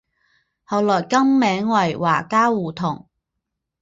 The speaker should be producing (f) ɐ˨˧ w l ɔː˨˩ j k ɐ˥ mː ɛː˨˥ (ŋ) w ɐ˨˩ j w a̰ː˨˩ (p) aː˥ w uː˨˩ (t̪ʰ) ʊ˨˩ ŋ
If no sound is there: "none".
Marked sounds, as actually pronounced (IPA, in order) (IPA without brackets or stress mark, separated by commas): h, ŋ, k, t̪ʰ